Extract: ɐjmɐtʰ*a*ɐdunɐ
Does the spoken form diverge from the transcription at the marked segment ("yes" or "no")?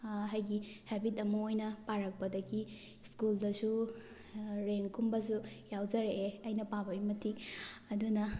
yes